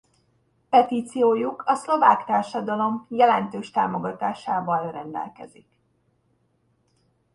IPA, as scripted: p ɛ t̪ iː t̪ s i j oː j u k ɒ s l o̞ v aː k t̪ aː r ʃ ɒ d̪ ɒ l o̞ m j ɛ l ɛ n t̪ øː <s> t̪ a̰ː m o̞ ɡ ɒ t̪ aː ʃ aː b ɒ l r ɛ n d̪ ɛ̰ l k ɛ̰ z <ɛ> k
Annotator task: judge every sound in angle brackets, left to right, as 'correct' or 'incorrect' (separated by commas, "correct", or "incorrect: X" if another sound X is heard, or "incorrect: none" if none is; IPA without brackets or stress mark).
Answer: incorrect: ʃ, incorrect: i